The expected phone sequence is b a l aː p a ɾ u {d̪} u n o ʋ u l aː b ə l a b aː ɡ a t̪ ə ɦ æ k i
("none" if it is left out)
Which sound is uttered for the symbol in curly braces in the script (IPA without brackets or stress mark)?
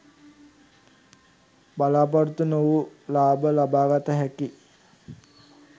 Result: t̪